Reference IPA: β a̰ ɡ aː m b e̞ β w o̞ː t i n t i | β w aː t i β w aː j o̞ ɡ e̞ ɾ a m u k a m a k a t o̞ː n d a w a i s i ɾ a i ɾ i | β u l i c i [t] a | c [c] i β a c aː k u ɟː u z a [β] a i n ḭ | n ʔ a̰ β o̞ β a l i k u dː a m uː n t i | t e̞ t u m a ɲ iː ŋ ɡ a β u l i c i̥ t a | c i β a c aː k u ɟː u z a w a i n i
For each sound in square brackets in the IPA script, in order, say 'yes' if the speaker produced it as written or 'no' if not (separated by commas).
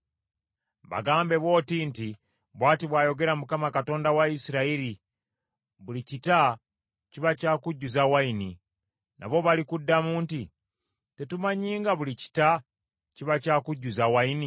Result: yes, yes, no